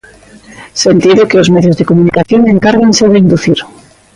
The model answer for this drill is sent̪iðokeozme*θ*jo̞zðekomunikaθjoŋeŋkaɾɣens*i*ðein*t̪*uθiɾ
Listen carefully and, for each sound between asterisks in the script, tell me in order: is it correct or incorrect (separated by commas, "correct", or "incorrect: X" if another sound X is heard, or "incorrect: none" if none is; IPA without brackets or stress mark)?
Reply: incorrect: ð, incorrect: e, incorrect: d̪